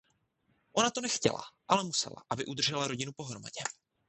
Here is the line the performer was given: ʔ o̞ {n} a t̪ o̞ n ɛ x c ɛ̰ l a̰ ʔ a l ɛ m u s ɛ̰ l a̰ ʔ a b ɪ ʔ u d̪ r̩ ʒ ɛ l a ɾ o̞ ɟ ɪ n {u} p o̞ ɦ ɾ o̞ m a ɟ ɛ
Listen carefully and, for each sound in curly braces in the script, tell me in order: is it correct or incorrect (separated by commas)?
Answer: correct, correct